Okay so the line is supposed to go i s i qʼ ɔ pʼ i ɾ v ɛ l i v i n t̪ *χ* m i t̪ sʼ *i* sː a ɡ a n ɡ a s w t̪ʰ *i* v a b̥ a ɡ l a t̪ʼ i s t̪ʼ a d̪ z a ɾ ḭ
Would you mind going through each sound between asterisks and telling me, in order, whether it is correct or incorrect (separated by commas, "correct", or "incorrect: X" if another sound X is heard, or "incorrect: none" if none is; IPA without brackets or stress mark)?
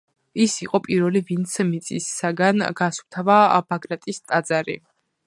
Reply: incorrect: s, correct, incorrect: a